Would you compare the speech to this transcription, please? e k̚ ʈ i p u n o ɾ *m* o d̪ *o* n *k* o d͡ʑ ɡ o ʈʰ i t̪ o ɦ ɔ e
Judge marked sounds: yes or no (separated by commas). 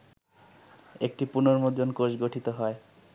yes, yes, yes